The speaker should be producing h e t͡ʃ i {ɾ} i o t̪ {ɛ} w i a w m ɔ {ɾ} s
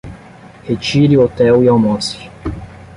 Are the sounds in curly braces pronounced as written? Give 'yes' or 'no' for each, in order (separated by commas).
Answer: yes, yes, no